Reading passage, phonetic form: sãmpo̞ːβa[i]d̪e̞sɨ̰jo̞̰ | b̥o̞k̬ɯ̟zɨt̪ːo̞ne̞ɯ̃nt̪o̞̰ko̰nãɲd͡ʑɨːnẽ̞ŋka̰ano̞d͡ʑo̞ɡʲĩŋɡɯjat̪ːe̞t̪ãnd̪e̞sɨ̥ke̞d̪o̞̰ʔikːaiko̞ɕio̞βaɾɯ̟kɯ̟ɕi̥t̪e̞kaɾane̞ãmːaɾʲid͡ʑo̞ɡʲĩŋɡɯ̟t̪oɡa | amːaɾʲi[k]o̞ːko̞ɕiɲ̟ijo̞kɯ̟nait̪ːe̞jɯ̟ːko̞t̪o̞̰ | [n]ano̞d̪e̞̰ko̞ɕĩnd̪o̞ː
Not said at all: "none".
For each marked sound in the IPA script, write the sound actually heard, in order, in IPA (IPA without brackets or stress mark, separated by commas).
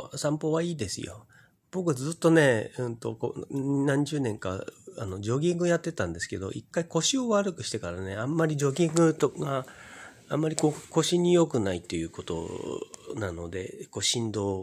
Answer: iː, k, n